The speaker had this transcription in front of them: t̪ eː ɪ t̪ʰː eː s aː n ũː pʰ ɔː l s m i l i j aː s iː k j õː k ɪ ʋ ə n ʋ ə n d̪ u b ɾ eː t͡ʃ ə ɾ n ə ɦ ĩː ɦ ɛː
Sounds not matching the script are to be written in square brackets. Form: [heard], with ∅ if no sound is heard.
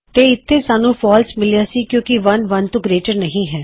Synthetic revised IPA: t̪ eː ɪ t̪ʰː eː s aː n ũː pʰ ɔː l s m [ɪ] l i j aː s iː k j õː k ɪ ʋ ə n ʋ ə n [t̪] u [ɡ] ɾ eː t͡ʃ ə ɾ n ə ɦ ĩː ɦ ɛː